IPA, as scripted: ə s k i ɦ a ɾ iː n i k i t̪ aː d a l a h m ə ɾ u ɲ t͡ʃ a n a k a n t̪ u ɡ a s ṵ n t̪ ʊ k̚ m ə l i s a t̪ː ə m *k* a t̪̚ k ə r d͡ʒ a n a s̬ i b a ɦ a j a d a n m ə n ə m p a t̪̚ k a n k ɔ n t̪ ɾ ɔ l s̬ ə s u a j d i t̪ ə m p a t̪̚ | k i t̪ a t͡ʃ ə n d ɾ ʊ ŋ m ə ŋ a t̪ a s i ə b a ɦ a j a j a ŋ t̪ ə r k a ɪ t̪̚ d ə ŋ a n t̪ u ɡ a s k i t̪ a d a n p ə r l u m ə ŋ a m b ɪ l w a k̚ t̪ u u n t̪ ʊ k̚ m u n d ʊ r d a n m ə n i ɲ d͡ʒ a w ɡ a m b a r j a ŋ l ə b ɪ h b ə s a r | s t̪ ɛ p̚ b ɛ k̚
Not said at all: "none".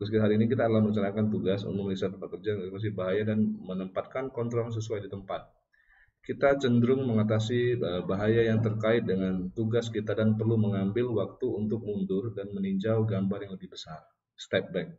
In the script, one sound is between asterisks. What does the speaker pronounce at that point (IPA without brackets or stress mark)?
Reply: p